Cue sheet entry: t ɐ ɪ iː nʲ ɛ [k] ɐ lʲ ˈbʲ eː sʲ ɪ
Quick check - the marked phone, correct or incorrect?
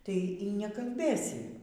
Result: correct